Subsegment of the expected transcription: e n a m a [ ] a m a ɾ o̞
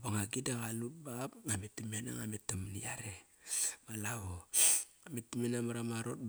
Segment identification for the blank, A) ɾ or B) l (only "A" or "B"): A